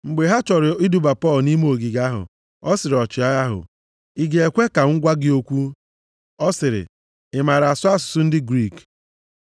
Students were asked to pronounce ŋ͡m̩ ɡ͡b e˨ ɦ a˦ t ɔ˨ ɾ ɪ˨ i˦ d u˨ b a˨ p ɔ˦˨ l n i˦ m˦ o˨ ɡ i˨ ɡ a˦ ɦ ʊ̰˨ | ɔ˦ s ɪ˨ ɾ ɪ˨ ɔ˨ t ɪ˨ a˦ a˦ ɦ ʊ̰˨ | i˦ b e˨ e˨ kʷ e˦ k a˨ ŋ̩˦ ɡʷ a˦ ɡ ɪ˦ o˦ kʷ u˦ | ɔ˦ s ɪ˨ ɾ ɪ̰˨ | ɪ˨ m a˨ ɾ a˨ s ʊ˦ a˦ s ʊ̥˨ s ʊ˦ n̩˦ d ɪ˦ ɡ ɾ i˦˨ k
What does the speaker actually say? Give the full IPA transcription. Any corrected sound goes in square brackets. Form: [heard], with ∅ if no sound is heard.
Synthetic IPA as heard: ŋ͡m̩ ɡ͡b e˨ ɦ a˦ [t͡ʃ] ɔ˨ ɾ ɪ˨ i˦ d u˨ b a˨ p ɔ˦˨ l n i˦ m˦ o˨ ɡ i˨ ɡ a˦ ɦ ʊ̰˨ | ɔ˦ s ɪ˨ ɾ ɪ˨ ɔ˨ [t͡ʃ] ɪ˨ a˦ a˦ ɦ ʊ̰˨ | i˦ [ɡ] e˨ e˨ kʷ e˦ k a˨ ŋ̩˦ ɡʷ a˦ ɡ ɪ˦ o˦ kʷ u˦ | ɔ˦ s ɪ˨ ɾ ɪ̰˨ | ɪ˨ m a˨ ɾ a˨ s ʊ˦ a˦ s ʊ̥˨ s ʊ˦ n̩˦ d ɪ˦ ɡ ɾ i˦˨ k